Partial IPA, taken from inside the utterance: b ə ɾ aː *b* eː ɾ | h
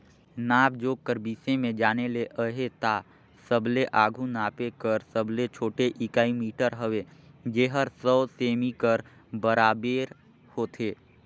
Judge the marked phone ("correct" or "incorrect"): correct